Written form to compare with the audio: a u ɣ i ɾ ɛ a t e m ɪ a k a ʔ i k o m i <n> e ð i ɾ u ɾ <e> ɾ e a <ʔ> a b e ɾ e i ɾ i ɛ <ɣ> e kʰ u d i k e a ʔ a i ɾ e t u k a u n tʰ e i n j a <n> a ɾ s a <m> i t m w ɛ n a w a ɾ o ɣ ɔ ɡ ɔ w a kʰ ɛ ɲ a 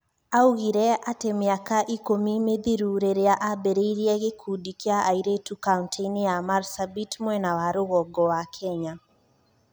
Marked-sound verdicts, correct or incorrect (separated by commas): incorrect, correct, correct, correct, incorrect, incorrect